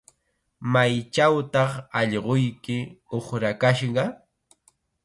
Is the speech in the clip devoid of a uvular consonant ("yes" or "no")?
no